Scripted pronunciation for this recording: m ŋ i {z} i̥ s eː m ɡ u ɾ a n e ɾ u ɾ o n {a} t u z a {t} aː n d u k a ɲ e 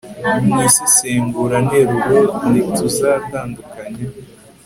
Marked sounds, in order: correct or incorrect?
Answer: incorrect: s, incorrect: i, correct

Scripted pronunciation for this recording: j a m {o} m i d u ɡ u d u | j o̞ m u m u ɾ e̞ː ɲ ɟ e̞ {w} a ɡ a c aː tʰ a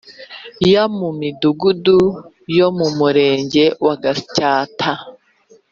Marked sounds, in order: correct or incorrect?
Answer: incorrect: u, correct

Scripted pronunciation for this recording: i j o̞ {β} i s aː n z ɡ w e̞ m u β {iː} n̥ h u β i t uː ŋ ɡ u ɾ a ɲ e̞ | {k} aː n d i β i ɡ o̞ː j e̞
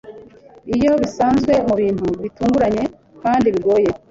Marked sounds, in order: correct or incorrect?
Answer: correct, correct, correct

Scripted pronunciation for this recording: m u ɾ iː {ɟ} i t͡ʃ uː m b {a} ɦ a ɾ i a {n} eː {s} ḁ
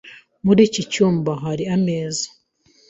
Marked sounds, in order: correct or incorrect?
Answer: incorrect: c, correct, incorrect: m, incorrect: z

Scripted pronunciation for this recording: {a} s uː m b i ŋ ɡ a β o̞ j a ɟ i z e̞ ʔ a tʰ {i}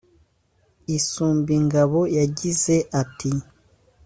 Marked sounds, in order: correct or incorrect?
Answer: incorrect: i, correct

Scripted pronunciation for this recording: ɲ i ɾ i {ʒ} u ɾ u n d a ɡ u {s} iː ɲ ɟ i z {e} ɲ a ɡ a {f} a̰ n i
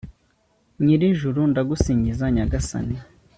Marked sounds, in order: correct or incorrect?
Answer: correct, correct, incorrect: a, incorrect: s

